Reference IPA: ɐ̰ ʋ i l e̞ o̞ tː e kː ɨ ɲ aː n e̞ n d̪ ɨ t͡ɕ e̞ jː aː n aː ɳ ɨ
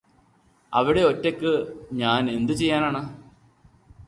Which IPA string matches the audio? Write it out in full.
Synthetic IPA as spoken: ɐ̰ ʋ i ɽ e̞ o̞ tː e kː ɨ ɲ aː n e̞ n d̪ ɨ t͡ɕ e̞ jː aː n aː ɳ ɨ